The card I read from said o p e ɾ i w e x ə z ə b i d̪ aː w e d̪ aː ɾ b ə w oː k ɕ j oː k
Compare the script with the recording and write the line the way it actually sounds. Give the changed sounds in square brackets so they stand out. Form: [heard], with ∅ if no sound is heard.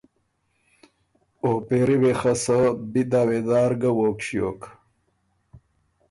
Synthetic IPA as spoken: o p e ɾ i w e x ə [s] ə b i d̪ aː w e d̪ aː ɾ [ɡ] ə w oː k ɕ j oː k